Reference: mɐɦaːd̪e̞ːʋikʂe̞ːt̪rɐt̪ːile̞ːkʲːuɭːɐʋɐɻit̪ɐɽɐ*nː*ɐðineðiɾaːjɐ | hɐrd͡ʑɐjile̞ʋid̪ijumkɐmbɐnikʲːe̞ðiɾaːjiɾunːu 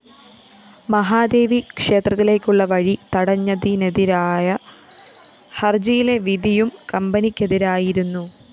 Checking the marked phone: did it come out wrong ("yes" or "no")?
yes